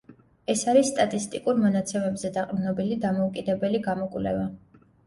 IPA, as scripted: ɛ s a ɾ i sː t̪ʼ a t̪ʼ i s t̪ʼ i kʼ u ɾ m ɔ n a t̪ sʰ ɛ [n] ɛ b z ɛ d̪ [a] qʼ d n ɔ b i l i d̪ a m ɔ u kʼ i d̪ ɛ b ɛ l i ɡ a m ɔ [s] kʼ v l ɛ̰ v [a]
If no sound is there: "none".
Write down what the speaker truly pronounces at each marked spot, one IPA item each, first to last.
m, a, none, a

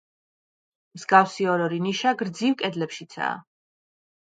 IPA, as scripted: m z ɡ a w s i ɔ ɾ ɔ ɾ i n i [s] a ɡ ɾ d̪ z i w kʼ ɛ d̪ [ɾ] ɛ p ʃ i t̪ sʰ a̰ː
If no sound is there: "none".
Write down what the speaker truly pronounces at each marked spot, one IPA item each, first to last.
ʃ, l

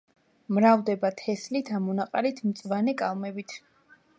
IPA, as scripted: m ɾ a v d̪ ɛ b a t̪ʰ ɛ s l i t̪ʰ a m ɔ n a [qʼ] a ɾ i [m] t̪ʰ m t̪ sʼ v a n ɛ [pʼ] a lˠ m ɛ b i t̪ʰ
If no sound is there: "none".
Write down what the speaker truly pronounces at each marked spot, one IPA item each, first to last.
qʼ, none, kʼ

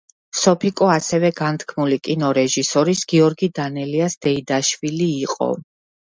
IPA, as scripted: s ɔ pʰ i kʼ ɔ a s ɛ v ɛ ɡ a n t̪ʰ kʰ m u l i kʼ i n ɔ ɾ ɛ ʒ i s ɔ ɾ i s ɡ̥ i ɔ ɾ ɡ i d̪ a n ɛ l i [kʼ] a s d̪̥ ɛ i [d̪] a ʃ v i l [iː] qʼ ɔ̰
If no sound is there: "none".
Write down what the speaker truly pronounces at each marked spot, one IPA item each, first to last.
none, d̪, iː

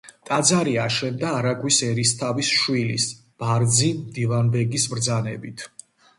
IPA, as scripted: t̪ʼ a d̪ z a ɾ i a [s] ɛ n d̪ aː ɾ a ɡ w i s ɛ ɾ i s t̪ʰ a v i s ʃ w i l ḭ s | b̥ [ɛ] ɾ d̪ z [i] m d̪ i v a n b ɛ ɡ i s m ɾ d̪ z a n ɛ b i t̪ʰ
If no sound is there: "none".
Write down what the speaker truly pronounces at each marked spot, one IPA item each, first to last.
ʃ, a, i

